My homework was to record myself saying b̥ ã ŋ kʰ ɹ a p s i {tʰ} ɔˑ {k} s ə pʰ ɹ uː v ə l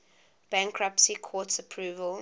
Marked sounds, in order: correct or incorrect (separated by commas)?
incorrect, incorrect